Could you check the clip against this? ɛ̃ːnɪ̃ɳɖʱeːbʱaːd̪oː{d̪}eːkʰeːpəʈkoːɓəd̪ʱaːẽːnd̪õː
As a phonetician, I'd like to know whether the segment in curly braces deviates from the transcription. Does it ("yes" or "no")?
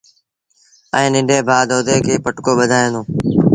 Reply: no